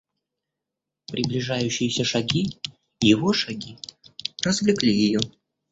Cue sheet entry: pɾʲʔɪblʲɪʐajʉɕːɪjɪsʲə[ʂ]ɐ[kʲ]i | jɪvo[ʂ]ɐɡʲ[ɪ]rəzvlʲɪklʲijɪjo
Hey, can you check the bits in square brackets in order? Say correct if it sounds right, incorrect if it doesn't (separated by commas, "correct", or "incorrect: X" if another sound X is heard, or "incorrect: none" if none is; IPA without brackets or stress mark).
correct, incorrect: ɡʲ, correct, incorrect: i